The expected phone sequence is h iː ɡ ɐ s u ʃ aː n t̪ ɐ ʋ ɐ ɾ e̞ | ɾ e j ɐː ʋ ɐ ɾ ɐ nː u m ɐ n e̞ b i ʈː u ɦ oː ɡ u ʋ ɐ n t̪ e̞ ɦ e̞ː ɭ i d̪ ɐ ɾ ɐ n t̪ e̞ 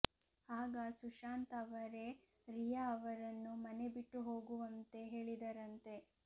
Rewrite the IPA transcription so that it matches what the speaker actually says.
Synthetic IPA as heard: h aː ɡ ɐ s u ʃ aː n t̪ ɐ ʋ ɐ ɾ e̞ | ɾ i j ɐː ʋ ɐ ɾ ɐ nː u m ɐ n e̞ b i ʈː u ɦ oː ɡ u ʋ ɐ n t̪ e̞ ɦ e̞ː ɭ i d̪ ɐ ɾ ɐ n t̪ e̞